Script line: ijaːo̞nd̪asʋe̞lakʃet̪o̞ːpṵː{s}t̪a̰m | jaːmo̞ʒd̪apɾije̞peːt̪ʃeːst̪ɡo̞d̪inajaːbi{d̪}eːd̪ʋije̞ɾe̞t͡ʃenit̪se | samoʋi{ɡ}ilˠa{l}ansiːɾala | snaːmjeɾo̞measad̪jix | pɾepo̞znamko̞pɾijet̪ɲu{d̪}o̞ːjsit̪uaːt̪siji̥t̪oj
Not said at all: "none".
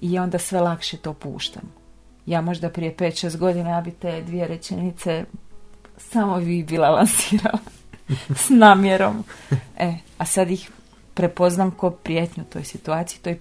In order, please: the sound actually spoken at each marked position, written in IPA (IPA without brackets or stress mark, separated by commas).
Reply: ʃ, t̪, b, l, t̪